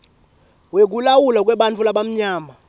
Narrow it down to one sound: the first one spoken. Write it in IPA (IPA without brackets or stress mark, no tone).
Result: w